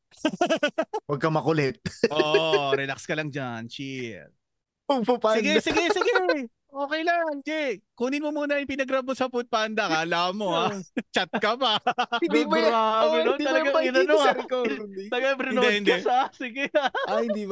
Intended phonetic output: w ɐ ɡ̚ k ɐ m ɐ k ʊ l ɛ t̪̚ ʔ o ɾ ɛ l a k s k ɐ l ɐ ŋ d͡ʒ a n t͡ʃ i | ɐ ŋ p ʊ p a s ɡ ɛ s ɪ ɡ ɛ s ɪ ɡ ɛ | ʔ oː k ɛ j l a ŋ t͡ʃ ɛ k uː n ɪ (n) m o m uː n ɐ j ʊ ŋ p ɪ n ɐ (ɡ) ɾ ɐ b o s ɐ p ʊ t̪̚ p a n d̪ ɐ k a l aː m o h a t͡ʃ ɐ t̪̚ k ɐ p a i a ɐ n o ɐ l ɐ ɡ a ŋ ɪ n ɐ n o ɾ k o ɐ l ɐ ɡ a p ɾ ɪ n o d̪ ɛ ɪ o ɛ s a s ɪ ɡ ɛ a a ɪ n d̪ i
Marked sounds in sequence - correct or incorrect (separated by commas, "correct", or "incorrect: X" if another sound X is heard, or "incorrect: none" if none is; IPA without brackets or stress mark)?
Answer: correct, correct